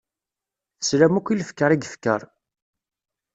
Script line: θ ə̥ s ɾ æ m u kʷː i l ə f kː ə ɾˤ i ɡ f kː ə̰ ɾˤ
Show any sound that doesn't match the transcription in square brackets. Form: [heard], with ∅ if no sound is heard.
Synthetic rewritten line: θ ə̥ s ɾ æ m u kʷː i l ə f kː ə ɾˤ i ɡ f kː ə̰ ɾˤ